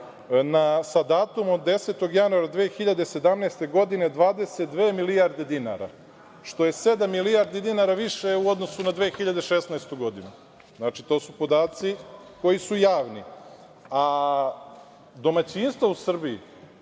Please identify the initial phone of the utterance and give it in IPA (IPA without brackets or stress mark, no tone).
n